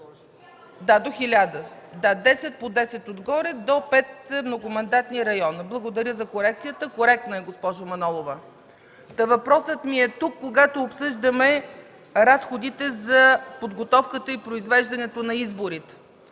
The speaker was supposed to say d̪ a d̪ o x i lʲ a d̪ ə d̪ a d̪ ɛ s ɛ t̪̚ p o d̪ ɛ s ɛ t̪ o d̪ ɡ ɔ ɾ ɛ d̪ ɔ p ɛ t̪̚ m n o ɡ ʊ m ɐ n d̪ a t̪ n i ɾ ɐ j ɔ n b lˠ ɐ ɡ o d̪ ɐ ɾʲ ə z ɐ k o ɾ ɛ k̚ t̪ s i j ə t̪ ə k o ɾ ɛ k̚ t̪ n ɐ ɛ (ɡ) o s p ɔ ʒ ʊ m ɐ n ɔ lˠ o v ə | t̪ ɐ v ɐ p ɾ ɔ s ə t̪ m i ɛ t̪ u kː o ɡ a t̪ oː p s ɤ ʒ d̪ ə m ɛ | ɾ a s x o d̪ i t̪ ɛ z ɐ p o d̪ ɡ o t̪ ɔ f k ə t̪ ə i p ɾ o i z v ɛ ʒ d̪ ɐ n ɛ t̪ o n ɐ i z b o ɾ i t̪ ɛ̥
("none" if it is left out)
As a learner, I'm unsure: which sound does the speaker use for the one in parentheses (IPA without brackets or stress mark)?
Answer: ɡ